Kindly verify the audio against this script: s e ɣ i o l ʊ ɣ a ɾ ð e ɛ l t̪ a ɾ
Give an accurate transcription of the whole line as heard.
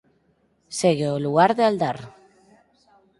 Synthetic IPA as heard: s e ɣ e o l u ɣ a ɾ ð e a l d̪ a ɾ